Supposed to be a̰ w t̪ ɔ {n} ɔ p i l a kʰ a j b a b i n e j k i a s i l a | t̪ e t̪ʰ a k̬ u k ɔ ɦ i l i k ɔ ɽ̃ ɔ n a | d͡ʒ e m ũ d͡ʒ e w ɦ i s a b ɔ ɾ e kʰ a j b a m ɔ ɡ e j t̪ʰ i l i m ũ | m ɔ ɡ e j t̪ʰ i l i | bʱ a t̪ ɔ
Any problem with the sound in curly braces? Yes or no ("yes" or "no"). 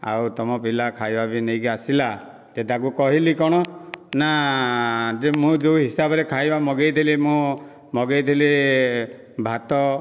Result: yes